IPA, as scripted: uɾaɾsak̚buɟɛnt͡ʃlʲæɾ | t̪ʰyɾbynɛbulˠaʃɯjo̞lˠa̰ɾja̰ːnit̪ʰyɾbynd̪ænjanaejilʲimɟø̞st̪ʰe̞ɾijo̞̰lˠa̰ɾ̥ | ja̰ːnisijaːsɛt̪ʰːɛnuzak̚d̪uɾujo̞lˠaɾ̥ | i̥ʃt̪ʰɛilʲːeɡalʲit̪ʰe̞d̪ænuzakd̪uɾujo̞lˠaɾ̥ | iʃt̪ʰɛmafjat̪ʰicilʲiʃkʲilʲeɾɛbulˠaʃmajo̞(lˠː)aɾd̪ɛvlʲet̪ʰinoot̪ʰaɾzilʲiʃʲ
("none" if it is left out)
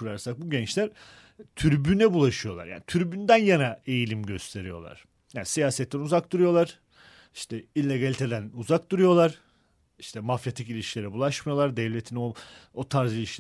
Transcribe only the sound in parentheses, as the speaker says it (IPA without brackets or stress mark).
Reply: lˠ